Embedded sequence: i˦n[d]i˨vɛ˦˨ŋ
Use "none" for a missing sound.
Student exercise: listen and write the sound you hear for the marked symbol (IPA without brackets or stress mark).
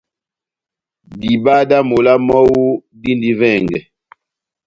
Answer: d